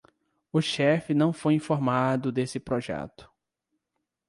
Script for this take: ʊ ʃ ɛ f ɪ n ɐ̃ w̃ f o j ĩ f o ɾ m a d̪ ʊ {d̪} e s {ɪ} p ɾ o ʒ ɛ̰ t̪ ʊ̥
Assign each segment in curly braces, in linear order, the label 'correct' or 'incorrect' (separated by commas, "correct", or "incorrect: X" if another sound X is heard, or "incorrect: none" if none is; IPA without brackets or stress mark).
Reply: correct, correct